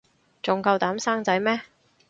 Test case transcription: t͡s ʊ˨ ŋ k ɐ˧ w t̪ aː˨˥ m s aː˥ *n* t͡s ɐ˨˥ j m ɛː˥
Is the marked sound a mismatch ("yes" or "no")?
yes